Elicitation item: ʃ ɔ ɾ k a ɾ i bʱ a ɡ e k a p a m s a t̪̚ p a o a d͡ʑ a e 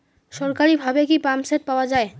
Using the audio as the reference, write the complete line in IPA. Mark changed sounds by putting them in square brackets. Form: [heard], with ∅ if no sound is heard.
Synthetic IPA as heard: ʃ ɔ ɾ k a ɾ i bʱ a [b] e k [i] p a m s [e] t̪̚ p a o a d͡ʑ a e